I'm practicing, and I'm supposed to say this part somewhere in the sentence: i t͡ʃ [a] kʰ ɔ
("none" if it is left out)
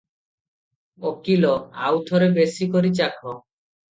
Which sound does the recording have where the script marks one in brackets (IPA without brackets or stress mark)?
a